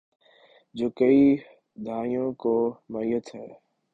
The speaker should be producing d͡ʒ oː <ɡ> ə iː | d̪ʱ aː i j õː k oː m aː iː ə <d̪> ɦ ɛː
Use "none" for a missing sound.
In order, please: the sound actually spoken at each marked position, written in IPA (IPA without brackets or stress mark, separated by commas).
k, t̪